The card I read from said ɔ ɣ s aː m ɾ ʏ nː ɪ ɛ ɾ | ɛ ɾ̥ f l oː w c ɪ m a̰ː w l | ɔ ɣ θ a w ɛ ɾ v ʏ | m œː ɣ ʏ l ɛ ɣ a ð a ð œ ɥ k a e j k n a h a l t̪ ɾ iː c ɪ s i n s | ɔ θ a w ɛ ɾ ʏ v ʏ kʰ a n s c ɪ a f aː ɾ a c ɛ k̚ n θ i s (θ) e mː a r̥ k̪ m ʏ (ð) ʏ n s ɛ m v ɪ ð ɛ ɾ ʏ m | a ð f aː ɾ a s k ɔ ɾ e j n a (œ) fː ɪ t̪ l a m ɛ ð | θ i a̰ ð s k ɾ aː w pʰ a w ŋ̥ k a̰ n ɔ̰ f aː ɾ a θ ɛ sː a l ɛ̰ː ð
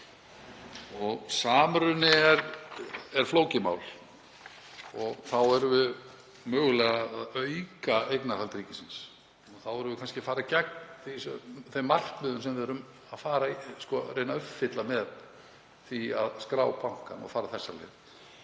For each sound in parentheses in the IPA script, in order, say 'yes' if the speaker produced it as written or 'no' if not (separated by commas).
yes, yes, yes